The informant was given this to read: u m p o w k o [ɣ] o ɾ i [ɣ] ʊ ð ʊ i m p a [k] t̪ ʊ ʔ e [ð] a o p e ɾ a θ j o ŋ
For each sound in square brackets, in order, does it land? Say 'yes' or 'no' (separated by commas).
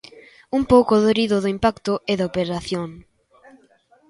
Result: no, no, yes, yes